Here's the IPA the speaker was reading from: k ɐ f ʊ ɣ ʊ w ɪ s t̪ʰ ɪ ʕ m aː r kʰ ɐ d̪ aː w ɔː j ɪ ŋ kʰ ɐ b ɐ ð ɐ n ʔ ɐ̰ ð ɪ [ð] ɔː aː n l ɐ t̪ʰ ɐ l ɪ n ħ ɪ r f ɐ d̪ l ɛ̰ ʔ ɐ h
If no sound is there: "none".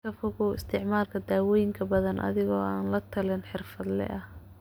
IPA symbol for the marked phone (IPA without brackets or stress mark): ɣ